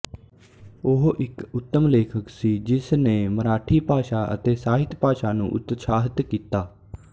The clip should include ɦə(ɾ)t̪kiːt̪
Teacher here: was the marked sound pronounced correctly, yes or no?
no